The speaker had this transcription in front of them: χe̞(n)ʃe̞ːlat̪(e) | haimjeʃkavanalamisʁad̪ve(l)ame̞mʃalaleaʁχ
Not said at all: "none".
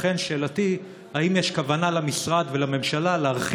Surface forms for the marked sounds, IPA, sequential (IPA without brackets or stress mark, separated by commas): n, i, l